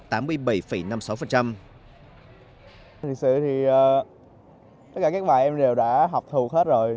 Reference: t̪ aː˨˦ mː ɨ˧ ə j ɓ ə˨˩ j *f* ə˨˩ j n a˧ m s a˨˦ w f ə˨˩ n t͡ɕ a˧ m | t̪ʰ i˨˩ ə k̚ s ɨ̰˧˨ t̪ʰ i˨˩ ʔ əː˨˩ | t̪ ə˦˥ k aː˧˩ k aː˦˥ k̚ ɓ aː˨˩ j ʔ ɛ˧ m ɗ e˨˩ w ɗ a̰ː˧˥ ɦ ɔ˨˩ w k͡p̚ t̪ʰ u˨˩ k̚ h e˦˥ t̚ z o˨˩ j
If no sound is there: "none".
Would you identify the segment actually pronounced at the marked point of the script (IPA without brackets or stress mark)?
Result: f